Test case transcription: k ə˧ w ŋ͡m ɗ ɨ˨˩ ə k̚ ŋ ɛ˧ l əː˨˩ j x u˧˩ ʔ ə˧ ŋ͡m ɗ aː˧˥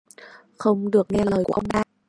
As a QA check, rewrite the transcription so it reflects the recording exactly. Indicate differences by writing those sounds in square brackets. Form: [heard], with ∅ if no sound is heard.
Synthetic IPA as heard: [x] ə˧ w ŋ͡m ɗ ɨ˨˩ ə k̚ ŋ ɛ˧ l əː˨˩ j [k] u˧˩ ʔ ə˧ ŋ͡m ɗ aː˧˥